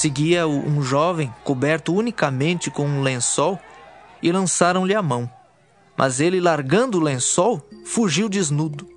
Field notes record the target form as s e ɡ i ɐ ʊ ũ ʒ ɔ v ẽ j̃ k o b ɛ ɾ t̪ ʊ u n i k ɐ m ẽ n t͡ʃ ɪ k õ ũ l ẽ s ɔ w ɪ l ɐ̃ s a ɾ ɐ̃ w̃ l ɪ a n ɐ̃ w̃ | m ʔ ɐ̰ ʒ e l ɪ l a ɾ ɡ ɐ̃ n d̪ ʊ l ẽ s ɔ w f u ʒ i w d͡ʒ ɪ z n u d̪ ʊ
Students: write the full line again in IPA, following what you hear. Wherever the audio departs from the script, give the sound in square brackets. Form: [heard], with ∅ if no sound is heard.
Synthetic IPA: s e ɡ i ɐ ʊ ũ ʒ ɔ v ẽ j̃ k o b ɛ ɾ t̪ ʊ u n i k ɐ m ẽ n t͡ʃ ɪ k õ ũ l ẽ s ɔ w ɪ l ɐ̃ s a ɾ ɐ̃ w̃ l ɪ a [m] ɐ̃ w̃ | m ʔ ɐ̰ [z] e l ɪ l a ɾ ɡ ɐ̃ n d̪ ʊ l ẽ s ɔ w f u ʒ i w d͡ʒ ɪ z n u d̪ ʊ